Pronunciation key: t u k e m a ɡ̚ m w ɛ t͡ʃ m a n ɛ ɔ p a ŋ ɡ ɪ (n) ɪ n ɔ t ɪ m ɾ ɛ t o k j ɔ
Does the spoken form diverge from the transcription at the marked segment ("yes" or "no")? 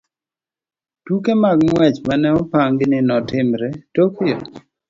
no